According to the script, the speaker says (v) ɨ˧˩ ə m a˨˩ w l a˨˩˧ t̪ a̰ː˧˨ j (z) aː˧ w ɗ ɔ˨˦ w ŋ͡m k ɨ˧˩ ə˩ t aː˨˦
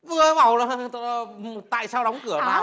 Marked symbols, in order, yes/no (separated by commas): yes, no